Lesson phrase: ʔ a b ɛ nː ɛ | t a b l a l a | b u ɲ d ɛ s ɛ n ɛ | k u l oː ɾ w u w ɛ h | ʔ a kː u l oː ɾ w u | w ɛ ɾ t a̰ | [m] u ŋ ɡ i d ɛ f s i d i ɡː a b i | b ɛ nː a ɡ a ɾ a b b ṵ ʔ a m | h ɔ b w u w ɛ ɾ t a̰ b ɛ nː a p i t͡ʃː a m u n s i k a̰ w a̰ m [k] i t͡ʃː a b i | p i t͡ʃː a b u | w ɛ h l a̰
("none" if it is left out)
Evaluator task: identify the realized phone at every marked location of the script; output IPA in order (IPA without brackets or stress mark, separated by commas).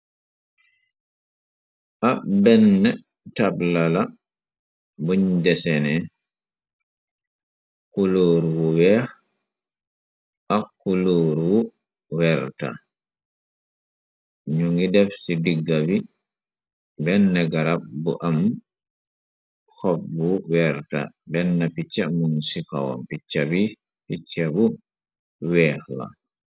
ɲ, p